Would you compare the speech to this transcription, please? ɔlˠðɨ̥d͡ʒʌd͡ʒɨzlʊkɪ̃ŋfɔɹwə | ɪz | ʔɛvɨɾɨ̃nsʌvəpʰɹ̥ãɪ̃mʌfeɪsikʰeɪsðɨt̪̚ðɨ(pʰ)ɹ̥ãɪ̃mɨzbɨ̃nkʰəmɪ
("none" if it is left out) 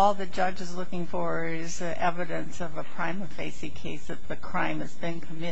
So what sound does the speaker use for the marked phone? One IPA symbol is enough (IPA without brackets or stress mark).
kʰ